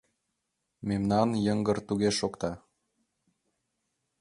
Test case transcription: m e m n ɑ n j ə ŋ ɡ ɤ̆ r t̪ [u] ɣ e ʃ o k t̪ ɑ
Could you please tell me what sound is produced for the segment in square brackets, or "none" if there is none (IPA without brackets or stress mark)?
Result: u